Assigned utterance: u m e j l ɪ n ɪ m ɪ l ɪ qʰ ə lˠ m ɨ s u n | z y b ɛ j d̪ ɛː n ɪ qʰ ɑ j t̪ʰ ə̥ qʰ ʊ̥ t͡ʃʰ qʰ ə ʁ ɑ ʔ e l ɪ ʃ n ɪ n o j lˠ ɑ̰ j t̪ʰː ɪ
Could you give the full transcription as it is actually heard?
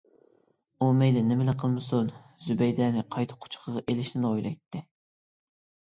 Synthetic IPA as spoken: u m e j l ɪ n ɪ m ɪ l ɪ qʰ ə lˠ m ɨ s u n | z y b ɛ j d̪ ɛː n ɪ qʰ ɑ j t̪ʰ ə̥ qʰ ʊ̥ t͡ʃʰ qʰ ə ʁ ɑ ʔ e l ɪ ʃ n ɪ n o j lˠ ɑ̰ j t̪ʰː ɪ